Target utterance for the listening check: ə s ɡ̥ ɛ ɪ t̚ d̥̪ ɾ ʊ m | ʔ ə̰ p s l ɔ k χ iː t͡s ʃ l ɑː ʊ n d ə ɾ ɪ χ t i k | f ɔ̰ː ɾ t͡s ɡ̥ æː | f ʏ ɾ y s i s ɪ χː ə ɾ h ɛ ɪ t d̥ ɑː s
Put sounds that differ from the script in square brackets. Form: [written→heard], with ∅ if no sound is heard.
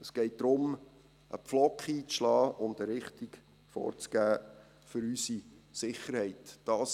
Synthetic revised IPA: ə s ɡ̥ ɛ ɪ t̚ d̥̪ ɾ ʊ m | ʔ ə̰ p [s→f] l ɔ k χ iː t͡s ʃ l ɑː ʊ n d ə ɾ ɪ χ t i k | f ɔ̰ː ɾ t͡s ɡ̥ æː | f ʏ ɾ y s i s ɪ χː ə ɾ h ɛ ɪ t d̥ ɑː s